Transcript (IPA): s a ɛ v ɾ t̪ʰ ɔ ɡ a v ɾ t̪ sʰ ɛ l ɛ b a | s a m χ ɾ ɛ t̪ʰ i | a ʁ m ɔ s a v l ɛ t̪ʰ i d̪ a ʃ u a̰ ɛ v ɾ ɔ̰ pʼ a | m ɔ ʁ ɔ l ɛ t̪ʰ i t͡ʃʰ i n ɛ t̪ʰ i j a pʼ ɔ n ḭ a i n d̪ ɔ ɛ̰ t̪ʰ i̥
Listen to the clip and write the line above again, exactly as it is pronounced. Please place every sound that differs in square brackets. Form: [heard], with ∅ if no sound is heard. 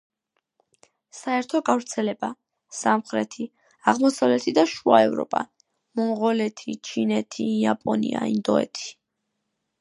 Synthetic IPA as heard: s a ɛ [∅] ɾ t̪ʰ ɔ ɡ a v ɾ t̪ sʰ ɛ l ɛ b a | s a m χ ɾ ɛ t̪ʰ i | a ʁ m ɔ s a v l ɛ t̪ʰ i d̪ a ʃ u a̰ ɛ v ɾ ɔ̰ pʼ a | m ɔ ʁ ɔ l ɛ t̪ʰ i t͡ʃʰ i n ɛ t̪ʰ i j a pʼ ɔ n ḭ a i n d̪ ɔ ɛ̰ t̪ʰ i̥